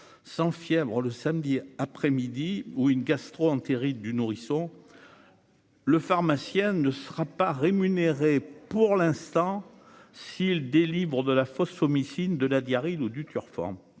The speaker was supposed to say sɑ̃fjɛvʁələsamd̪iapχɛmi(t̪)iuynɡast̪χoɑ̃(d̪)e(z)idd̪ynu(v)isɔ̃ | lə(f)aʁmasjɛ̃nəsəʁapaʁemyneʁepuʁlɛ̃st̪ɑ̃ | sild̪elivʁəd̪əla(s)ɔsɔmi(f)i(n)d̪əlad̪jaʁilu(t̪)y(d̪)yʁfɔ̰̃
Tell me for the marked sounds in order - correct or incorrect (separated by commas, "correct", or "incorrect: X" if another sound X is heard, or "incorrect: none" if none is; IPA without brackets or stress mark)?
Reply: incorrect: d̪, incorrect: t̪, incorrect: ʁ, incorrect: ʁ, correct, incorrect: f, incorrect: s, correct, incorrect: d̪, incorrect: t̪